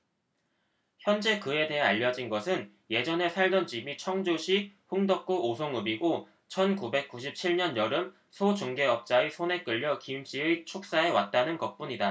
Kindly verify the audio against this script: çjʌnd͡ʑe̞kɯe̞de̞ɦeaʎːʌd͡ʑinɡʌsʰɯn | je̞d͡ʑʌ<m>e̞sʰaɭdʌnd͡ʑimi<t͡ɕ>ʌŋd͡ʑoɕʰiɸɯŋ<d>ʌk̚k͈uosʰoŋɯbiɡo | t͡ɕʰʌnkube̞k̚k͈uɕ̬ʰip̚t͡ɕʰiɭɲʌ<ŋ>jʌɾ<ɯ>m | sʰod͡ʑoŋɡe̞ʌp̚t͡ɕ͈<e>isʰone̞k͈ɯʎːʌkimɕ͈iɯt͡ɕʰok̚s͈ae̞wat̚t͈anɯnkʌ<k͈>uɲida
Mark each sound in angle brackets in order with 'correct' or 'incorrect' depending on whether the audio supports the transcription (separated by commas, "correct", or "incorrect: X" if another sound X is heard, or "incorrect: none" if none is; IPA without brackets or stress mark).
incorrect: n, incorrect: t͡ɕʰ, correct, incorrect: n, correct, incorrect: a, incorrect: p͈